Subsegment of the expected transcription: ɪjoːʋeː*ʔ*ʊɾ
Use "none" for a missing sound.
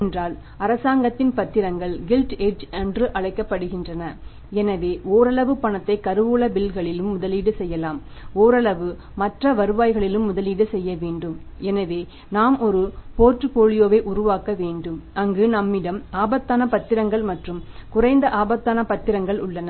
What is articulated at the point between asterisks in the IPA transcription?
ʔ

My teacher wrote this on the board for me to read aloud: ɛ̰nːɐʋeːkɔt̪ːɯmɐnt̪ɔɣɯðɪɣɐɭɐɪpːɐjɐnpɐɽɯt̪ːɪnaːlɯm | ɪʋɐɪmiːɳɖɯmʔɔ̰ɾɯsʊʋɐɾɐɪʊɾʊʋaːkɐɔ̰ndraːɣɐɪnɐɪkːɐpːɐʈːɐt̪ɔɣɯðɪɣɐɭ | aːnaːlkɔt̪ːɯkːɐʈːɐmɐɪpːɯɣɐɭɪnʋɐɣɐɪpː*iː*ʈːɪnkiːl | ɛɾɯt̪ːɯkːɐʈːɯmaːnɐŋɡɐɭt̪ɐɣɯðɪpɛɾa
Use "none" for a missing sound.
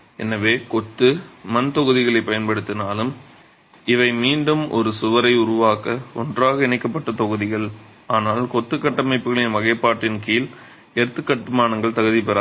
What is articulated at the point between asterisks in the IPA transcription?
aː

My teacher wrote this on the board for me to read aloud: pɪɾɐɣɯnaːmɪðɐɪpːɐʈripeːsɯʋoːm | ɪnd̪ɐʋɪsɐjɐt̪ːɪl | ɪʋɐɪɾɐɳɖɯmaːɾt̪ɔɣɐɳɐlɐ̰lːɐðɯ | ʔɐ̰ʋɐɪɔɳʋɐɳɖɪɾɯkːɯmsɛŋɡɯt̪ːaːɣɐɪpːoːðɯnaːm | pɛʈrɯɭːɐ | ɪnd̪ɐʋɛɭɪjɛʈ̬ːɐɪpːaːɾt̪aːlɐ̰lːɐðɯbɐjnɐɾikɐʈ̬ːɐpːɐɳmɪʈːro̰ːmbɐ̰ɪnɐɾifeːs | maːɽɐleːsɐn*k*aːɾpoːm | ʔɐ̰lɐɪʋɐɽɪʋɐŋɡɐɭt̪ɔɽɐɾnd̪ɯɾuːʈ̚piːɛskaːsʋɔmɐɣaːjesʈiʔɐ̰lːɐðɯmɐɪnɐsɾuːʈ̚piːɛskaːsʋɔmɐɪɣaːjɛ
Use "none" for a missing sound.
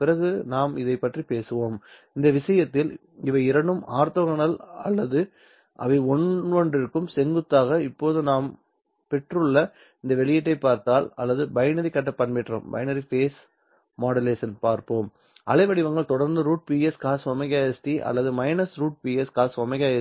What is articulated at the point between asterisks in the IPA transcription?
p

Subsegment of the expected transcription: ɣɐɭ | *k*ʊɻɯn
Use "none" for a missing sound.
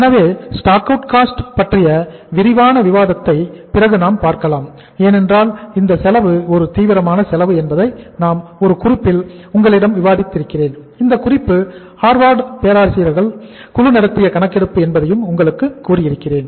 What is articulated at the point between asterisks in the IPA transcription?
k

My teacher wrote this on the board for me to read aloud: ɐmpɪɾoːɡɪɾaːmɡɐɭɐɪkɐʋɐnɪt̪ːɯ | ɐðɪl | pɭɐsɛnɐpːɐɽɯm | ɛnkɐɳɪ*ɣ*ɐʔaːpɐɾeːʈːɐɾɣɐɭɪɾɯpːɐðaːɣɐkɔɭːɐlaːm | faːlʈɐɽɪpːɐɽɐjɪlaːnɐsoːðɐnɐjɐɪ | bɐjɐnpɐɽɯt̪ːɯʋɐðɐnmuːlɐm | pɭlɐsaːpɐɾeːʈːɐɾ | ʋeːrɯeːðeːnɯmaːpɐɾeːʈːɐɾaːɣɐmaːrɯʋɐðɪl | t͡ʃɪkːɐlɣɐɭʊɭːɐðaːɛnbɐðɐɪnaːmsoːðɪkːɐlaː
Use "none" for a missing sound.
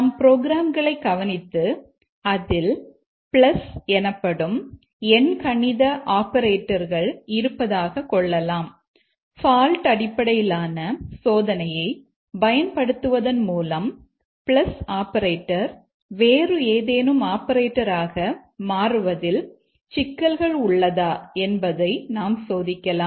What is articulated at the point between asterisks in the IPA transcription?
ð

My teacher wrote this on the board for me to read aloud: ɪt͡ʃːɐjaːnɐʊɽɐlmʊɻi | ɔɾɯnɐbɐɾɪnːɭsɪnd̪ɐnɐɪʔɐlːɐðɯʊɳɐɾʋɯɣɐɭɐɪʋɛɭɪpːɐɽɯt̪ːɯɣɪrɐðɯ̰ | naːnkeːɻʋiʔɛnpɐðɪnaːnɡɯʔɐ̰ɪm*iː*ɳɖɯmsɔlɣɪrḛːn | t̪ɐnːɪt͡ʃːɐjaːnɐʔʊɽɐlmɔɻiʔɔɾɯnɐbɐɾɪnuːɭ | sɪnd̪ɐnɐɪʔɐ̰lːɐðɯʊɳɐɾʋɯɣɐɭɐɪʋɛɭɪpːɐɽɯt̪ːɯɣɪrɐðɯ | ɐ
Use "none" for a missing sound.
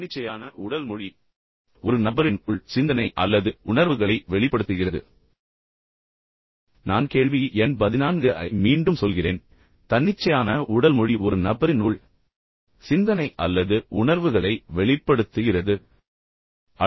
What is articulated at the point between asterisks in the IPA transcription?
iː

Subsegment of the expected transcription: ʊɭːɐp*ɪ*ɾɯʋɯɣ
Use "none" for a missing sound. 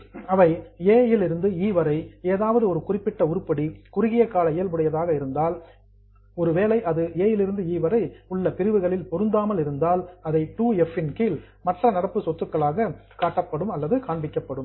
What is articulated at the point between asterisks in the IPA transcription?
ɪ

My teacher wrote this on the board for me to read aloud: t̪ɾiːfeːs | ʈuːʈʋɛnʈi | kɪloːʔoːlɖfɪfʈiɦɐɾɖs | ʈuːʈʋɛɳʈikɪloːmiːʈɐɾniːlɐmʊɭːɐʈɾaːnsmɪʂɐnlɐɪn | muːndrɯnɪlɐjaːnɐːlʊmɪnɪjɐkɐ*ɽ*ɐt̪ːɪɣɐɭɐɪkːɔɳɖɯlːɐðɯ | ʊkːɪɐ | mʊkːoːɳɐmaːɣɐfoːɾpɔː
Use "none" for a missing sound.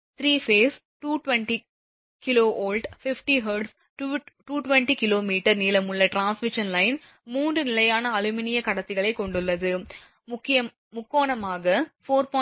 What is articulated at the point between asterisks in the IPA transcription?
ɽ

